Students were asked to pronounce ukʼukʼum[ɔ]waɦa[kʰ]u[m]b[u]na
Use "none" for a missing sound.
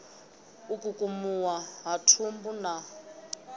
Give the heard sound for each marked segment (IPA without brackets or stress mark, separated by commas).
u, tʰ, m, u